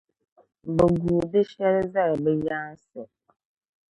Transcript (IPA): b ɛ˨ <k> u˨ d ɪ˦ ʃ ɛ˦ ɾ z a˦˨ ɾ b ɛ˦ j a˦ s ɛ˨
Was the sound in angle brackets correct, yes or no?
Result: no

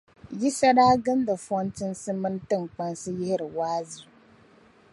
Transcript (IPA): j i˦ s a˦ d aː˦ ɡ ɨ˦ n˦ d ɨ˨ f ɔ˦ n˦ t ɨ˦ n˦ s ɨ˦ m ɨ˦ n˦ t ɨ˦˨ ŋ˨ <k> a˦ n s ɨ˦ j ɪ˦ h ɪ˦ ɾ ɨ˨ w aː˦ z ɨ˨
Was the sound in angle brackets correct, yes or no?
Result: no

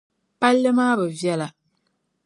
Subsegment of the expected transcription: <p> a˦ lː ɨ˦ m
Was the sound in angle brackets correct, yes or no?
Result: yes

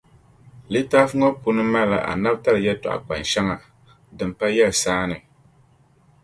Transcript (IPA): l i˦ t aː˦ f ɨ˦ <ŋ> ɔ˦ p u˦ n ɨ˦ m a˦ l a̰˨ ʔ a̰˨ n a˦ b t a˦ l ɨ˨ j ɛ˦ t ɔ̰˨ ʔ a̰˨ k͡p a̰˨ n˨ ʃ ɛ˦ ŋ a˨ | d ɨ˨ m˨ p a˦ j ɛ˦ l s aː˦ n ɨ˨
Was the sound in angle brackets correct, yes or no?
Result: yes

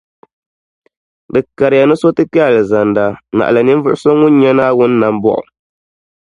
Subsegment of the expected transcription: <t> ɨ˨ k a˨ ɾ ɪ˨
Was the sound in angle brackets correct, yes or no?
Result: no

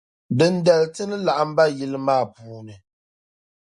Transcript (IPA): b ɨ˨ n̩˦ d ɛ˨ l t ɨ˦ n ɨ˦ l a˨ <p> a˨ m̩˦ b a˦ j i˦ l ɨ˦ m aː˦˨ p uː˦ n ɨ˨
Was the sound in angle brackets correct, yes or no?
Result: no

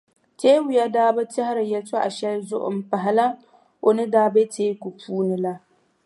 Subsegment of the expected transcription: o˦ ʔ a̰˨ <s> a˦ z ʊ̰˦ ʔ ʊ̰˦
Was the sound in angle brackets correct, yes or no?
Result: no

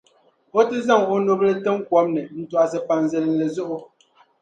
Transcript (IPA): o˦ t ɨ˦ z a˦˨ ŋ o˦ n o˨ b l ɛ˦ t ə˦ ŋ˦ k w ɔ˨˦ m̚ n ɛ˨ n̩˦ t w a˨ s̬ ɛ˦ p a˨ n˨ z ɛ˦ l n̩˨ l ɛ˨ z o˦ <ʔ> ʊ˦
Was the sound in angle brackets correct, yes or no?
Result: yes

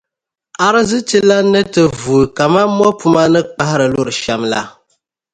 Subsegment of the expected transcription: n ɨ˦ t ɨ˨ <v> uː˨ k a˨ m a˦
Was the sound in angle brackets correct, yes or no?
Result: yes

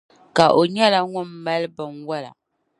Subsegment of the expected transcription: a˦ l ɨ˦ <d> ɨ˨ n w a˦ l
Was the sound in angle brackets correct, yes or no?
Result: no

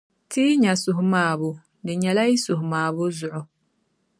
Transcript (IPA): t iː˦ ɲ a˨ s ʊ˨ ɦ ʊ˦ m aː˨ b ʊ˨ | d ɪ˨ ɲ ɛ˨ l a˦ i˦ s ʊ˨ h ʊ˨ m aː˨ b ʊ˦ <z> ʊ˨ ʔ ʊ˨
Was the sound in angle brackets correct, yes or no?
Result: yes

